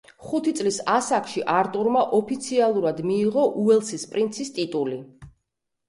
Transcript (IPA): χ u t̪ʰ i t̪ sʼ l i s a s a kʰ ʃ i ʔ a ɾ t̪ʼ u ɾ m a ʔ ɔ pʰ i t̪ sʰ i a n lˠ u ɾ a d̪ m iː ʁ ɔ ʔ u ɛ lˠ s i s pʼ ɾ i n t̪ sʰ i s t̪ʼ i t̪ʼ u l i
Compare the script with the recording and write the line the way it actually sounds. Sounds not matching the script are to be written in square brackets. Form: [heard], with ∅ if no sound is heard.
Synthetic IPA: χ u t̪ʰ i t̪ sʼ l i s a s a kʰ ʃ i ʔ a ɾ t̪ʼ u ɾ m a ʔ ɔ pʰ i t̪ sʰ i a [∅] lˠ u ɾ a d̪ m iː ʁ ɔ ʔ u ɛ lˠ s i s pʼ ɾ i n t̪ sʰ i s t̪ʼ i t̪ʼ u l i